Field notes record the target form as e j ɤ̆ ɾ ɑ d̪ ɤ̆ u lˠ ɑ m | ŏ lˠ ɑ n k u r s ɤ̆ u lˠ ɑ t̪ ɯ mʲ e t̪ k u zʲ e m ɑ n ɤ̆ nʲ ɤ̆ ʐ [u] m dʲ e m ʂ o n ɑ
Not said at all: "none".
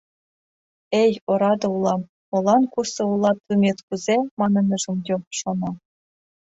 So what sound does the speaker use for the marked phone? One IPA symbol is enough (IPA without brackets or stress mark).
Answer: u